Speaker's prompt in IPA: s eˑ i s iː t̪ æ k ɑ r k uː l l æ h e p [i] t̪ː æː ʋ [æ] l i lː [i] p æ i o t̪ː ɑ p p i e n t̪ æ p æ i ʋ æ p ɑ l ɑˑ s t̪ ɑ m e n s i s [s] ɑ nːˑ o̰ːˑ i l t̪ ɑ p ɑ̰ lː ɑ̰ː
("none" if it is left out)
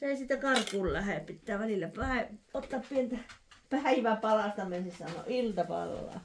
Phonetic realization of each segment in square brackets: i, æ, æ, s

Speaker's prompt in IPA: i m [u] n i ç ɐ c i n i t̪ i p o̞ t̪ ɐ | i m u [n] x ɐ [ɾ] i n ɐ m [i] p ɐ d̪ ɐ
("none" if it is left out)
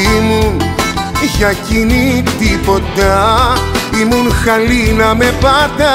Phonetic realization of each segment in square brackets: u, n, l, e

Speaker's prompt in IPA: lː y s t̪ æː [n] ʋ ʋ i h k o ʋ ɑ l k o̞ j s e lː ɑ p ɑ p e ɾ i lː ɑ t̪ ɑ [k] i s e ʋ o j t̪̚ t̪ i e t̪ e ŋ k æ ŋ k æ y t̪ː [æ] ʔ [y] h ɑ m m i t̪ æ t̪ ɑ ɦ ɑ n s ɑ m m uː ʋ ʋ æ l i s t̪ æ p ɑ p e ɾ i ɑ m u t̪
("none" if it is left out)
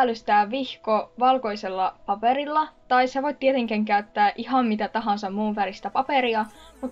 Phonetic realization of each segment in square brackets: none, none, æː, i

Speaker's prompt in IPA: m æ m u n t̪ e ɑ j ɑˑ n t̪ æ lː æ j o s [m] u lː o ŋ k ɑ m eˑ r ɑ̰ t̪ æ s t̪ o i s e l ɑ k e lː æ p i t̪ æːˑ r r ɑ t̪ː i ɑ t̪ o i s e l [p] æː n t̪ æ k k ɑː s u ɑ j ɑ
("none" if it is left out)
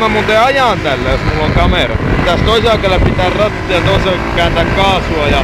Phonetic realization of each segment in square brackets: m, k

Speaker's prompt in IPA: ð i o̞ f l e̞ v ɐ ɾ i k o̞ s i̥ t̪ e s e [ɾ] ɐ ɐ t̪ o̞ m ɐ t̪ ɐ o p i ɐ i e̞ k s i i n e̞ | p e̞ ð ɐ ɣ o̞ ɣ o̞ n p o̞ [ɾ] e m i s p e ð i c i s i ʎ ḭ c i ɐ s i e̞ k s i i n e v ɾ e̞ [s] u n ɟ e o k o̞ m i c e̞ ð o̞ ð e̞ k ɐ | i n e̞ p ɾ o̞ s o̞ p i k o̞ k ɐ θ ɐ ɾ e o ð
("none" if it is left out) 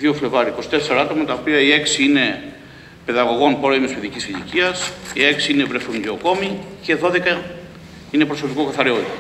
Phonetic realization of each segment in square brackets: ɾ, ɾ, θ

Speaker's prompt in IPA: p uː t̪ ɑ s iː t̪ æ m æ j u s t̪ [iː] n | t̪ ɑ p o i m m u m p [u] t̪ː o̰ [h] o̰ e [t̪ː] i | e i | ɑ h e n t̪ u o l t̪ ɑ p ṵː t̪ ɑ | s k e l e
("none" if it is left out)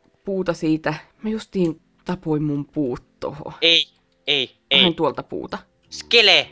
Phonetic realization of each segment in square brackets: iː, uː, h, none

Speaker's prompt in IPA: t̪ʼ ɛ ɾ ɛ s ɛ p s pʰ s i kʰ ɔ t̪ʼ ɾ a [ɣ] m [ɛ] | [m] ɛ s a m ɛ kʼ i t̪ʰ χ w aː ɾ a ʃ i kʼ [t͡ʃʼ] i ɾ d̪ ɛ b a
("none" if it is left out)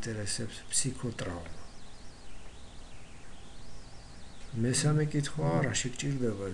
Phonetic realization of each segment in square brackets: v, a, m, t͡ʃʼ

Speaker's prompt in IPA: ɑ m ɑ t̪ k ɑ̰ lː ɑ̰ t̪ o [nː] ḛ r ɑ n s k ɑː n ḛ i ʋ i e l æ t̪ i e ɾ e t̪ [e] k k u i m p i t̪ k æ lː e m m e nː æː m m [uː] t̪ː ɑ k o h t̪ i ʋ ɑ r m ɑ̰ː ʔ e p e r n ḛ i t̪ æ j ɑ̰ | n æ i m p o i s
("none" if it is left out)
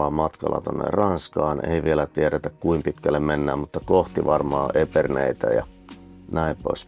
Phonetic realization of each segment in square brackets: nː, æ, u

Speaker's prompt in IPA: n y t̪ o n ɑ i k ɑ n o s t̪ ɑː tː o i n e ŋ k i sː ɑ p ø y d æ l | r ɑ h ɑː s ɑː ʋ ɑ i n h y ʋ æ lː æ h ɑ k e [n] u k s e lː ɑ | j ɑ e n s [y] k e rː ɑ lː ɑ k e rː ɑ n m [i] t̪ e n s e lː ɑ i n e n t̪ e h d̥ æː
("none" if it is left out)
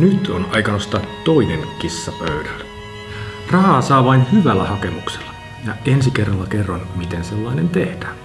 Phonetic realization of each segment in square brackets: m, i, i

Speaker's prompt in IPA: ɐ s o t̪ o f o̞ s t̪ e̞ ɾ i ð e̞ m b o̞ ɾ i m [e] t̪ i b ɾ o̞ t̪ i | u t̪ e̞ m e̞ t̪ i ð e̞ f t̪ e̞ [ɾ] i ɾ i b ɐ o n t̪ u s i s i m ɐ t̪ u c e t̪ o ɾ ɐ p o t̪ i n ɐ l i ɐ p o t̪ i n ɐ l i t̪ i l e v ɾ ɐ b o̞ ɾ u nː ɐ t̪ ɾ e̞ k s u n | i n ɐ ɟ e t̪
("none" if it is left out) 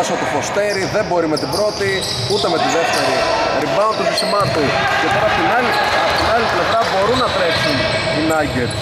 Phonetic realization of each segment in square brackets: e, ɾ

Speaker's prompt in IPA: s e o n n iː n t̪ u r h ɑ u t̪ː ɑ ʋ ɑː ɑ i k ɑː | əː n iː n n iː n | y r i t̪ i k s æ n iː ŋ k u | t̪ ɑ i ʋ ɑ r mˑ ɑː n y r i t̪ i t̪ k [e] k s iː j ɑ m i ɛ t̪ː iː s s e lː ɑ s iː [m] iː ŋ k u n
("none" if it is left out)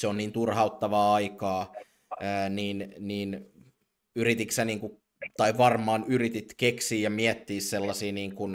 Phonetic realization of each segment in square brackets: e, n

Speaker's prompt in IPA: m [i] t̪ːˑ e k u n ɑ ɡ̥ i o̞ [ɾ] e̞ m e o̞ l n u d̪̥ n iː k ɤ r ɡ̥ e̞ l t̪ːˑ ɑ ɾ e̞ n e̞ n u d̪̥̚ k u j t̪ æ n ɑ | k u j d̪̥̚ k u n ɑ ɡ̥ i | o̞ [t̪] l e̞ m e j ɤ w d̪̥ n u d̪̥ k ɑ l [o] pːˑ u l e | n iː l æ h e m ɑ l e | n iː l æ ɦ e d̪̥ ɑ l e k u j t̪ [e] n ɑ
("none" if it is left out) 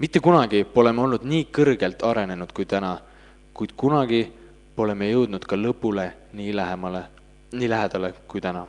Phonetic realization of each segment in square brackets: i, l, none, ɤ, æ

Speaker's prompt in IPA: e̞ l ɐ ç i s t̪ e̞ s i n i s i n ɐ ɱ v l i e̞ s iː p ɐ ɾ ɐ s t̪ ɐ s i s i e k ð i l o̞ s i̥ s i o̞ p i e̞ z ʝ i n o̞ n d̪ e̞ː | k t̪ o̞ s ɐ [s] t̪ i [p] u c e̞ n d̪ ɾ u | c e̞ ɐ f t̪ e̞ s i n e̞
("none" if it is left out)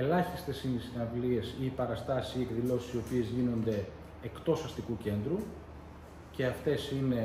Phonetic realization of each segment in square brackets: s, k

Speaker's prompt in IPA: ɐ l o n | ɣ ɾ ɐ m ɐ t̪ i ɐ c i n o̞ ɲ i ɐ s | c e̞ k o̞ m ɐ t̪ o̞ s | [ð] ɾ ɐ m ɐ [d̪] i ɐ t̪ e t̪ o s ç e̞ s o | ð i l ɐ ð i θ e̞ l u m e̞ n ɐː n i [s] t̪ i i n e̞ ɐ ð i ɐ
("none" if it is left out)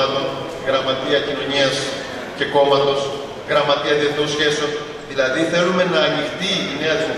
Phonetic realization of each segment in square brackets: ɣ, t̪, x

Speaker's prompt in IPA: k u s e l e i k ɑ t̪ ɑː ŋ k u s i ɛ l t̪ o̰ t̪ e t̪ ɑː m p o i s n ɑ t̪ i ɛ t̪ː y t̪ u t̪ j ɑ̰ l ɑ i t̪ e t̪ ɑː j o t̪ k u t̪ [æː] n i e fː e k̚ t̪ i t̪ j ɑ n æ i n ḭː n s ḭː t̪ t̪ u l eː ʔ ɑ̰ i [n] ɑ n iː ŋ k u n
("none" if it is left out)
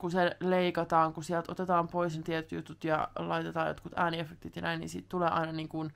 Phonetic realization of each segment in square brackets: æː, n

